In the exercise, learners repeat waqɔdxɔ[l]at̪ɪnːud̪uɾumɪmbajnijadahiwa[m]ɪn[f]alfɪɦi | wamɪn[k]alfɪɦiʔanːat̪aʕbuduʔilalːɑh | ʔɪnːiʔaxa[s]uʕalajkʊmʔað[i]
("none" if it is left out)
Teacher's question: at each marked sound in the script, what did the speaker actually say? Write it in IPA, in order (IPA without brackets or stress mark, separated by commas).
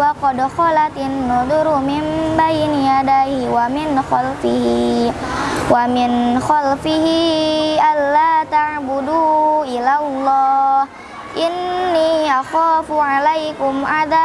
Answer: l, m, x, x, f, a